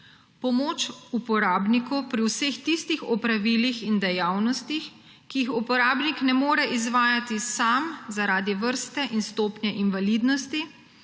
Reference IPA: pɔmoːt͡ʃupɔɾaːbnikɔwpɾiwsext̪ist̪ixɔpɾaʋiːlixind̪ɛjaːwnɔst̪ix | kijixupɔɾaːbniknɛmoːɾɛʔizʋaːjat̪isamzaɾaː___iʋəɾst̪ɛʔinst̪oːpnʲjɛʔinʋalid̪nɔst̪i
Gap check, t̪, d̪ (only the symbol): d̪